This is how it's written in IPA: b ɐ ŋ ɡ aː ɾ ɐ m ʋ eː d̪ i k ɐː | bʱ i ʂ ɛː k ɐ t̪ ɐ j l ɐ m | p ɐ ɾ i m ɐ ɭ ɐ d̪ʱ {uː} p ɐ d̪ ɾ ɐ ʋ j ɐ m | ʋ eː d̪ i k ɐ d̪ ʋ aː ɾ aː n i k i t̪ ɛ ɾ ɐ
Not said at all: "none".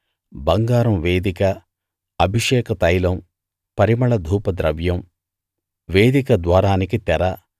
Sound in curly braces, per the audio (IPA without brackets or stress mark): uː